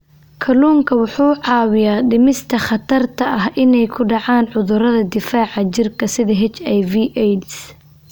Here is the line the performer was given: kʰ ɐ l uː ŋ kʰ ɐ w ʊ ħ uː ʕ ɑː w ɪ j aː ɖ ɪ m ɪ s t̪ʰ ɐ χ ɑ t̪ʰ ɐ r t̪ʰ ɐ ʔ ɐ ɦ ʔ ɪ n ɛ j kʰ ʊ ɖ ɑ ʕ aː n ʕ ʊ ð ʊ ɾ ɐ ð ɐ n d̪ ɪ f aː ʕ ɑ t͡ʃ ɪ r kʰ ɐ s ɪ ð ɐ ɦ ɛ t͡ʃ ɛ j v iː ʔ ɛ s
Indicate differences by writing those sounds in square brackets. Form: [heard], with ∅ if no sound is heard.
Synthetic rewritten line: kʰ ɐ l uː ŋ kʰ ɐ w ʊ ħ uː ʕ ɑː w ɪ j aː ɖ ɪ m ɪ s t̪ʰ ɐ χ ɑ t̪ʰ ɐ r t̪ʰ ɐ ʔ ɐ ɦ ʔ ɪ n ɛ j kʰ ʊ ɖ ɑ ʕ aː n ʕ ʊ ð ʊ ɾ ɐ ð ɐ [∅] d̪ ɪ f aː ʕ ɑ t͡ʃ ɪ r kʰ ɐ s ɪ ð ɐ ɦ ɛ t͡ʃ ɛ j v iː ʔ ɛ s